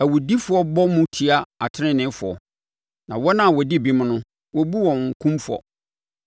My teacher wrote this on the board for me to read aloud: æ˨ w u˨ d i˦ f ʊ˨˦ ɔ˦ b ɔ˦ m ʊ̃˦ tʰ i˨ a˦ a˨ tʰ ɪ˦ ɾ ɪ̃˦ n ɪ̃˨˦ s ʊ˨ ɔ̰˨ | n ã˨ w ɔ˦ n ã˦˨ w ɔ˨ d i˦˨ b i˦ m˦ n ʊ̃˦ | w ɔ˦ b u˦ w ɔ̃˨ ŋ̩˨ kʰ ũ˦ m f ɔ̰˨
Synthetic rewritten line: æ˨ w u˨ d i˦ f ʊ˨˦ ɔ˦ b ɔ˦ m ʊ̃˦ tʰ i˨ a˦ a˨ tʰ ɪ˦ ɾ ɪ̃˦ n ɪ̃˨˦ f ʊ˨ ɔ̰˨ | n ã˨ w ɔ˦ n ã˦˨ w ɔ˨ d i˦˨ b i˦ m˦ n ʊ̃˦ | w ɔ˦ b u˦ w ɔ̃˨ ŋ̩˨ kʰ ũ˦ m f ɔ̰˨